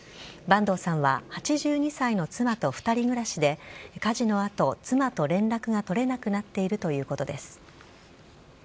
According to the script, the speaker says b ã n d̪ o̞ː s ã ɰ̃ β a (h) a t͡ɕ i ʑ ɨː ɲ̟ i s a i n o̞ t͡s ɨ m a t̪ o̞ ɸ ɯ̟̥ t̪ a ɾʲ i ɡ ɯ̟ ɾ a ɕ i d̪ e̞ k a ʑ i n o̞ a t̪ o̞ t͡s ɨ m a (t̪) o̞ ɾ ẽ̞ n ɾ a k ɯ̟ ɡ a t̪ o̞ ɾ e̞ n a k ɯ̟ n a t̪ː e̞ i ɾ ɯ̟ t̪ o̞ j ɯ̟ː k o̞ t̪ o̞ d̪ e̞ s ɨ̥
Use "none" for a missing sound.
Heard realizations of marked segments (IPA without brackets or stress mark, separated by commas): h, t̪